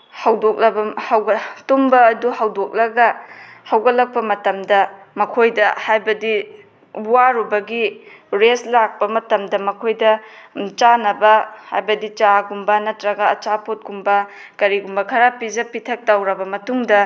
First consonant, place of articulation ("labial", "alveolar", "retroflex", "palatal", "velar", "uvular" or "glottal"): glottal